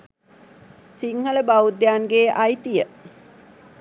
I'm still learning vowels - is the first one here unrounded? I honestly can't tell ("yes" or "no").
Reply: yes